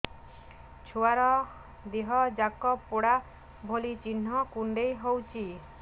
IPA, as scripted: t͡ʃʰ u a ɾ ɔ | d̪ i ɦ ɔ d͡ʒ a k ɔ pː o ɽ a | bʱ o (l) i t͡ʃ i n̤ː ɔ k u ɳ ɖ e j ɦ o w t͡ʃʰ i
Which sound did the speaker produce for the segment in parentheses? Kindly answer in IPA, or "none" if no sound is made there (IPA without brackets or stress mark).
l